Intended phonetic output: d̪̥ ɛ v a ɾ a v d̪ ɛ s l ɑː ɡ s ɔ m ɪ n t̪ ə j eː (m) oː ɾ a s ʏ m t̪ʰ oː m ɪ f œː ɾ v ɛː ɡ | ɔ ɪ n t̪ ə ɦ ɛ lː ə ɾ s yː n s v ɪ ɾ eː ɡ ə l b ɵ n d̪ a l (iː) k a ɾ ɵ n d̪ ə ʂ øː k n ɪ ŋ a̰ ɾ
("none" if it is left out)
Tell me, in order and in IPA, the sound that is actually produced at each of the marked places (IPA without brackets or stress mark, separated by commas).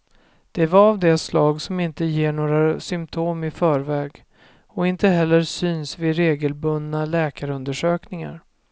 ɳ, ɛː